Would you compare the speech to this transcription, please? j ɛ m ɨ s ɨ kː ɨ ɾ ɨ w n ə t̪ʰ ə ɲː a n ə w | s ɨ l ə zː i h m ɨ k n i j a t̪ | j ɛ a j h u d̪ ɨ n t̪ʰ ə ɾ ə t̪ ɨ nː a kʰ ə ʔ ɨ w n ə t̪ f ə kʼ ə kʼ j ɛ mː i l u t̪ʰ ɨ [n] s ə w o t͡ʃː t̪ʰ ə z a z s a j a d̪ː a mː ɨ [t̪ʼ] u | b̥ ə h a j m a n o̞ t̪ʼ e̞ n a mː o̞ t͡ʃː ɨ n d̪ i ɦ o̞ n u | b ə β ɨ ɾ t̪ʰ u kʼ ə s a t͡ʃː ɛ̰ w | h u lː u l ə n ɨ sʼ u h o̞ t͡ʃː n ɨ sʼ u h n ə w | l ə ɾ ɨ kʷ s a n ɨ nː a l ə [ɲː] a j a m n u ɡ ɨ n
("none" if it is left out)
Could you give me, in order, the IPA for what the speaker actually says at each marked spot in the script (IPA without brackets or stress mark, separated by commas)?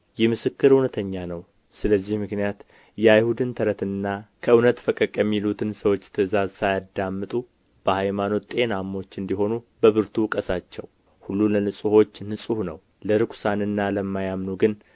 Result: n, t̪ʼ, mː